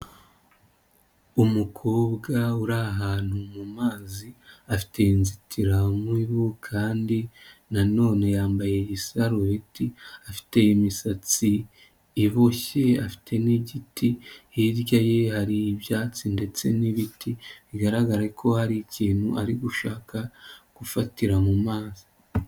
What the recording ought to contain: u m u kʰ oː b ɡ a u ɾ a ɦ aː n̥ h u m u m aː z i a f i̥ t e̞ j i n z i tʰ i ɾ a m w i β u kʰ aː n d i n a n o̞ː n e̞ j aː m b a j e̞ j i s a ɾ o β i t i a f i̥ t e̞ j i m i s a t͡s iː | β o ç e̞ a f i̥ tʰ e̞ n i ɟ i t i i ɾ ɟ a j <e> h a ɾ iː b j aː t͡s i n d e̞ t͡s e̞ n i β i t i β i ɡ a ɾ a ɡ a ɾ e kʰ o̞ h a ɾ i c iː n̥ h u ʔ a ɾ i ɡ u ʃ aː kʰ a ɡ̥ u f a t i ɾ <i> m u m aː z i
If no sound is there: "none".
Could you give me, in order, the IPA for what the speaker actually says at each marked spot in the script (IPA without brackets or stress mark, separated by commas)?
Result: e, a